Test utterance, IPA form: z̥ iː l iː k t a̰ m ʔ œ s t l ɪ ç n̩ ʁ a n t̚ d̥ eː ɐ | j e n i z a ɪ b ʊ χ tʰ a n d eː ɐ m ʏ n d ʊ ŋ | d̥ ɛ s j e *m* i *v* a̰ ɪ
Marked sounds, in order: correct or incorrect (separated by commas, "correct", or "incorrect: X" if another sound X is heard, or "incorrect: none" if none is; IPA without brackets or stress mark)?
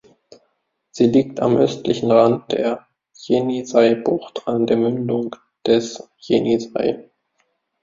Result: incorrect: n, incorrect: z